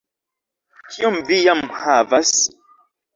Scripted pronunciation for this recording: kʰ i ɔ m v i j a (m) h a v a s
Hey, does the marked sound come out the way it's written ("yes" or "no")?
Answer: yes